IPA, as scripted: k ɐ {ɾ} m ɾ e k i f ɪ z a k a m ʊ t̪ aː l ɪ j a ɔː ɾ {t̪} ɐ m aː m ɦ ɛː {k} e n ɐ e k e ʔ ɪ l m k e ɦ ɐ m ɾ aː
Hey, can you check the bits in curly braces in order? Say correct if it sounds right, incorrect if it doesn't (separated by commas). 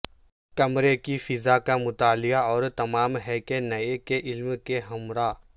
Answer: incorrect, correct, correct